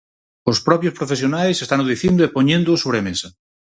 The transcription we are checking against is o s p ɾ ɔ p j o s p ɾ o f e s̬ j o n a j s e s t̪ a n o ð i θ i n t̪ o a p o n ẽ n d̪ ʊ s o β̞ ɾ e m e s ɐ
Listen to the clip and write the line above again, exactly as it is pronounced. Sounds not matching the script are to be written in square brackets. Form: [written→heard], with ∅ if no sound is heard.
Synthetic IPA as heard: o s p ɾ ɔ p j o s p ɾ o f e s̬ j o n a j s e s t̪ a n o ð i θ i n [t̪→d̪] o [a→e] p o [n→ɲ] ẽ n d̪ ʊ s o β̞ ɾ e m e s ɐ